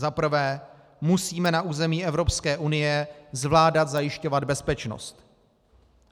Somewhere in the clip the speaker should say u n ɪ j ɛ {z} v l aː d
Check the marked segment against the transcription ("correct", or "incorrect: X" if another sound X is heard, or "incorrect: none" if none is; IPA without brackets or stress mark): correct